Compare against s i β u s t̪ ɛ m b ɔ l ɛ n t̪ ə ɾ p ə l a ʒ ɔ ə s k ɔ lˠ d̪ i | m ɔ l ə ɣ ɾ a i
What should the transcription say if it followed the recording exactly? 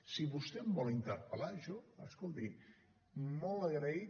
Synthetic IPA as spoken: s i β u s t̪ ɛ m b ɔ l i n t̪ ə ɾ p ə l a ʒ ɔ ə s k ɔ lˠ t̪ i | m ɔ l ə ɣ ɾ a i